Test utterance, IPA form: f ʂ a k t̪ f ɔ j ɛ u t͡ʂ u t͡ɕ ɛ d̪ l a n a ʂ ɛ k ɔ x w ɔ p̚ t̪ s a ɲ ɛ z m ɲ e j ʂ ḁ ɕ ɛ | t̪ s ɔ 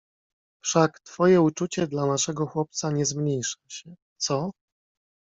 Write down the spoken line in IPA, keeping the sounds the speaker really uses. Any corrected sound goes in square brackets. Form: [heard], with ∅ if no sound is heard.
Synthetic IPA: f ʂ a k t̪ f ɔ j ɛ u t͡ʂ u t͡ɕ ɛ d̪ l a n a ʂ ɛ [ɡ] ɔ x w ɔ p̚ t̪ s a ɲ ɛ z m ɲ e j ʂ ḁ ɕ ɛ | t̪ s ɔ